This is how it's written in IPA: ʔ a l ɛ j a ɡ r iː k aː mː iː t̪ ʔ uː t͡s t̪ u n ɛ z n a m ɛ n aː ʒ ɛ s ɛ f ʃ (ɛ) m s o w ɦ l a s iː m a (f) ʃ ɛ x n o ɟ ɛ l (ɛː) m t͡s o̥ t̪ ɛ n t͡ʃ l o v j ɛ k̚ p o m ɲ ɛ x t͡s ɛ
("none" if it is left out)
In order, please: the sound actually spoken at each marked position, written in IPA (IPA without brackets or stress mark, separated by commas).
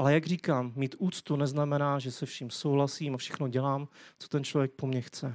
i, f, aː